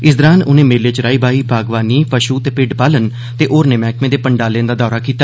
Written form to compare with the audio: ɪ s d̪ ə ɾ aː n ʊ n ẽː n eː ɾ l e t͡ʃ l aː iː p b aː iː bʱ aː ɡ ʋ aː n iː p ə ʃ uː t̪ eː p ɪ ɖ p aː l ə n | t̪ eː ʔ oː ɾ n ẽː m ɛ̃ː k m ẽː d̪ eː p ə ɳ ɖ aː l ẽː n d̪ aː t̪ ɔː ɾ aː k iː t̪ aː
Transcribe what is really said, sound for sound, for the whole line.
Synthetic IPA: ɪ s d̪ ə ɾ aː n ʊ n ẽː m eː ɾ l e t͡ʃ ɾ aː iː b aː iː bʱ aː ɡ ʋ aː n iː p ə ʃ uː t̪ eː p ɪ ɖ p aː l ə n | t̪ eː ʔ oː ɾ n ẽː m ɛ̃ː k m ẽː d̪ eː p ə ɳ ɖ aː l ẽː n d̪ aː d̪ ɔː ɾ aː k iː t̪ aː

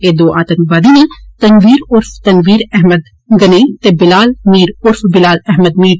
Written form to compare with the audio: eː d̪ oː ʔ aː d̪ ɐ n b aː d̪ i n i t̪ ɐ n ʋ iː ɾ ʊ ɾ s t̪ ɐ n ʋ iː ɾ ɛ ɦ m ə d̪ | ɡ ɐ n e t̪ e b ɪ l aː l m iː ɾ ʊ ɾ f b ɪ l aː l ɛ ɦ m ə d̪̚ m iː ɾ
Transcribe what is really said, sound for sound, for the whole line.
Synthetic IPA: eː d̪ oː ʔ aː t̪ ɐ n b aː d̪ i n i t̪ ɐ n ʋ iː ɾ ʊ ɾ f t̪ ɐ n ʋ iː ɾ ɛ ɦ m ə d̪ | ɡ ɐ n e t̪ e b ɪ l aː l m iː ɾ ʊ ɾ f b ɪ l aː l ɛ ɦ m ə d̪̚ m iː ɾ

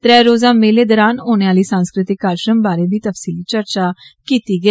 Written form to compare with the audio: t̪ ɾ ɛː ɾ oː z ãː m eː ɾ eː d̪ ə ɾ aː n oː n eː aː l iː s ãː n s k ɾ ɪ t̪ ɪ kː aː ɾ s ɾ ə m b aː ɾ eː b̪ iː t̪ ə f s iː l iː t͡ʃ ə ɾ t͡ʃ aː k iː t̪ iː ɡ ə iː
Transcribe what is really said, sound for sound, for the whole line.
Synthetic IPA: t̪ ɾ ɛː ɾ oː z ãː m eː l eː d̪ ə ɾ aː n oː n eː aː l iː s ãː n s k ɾ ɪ t̪ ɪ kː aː ɾ ʃ ɾ ə m b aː ɾ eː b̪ iː t̪ ə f s iː l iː t͡ʃ ə ɾ t͡ʃ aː k iː t̪ iː ɡ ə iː

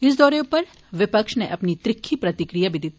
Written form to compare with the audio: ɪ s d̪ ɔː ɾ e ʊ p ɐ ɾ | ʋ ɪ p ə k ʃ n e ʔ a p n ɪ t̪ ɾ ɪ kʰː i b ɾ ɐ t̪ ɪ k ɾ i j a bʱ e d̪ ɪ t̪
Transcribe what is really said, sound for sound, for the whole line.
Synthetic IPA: ɪ s d̪ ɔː ɾ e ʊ p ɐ ɾ | ʋ ɪ p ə k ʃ n e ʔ ɐ p n i t̪ ɾ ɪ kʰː i p ɾ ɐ t̪ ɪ k ɾ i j a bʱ i d̪ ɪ t̪

